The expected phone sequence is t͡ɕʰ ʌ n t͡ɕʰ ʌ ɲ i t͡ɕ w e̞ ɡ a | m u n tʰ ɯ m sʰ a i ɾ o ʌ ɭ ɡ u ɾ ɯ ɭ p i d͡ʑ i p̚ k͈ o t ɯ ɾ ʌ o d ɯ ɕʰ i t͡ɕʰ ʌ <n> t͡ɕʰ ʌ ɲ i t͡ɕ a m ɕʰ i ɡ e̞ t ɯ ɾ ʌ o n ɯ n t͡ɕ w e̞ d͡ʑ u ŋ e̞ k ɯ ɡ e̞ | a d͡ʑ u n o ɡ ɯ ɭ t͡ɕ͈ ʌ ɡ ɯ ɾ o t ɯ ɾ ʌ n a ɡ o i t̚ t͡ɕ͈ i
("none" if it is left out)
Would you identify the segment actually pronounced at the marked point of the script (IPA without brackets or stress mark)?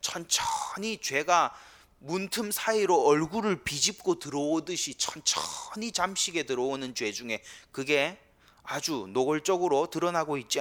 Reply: n